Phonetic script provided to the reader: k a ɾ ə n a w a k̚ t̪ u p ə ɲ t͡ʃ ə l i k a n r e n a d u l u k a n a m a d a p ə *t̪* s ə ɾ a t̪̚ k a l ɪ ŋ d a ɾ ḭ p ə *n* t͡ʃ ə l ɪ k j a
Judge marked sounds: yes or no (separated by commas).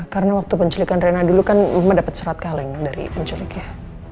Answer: yes, no